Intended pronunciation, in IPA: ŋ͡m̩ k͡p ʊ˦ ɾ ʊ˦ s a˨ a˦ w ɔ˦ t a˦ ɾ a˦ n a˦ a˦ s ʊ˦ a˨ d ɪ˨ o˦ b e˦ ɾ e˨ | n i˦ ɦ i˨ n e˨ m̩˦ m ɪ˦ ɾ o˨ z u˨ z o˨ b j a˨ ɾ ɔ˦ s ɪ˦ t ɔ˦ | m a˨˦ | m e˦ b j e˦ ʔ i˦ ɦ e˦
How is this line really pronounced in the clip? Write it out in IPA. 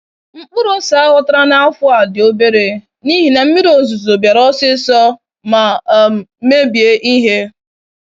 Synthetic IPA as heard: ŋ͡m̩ k͡p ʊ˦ ɾ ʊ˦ s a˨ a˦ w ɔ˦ t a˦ ɾ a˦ n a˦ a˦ f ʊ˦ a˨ d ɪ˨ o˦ b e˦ ɾ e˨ | n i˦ ɦ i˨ n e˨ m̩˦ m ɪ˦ ɾ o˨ z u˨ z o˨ b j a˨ ɾ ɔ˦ s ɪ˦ s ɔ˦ | m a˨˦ | m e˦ b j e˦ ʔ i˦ ɦ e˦